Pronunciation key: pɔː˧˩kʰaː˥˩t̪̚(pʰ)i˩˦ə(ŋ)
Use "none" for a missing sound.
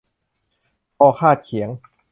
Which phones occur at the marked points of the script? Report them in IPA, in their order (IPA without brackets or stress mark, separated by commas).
kʰ, ŋ